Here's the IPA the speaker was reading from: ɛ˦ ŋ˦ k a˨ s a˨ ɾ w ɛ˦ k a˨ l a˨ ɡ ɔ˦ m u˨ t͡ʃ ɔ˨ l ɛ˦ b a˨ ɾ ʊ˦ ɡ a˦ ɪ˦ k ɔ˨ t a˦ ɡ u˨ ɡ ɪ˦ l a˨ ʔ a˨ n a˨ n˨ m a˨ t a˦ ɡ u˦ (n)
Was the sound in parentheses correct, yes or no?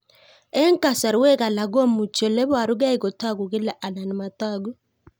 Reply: no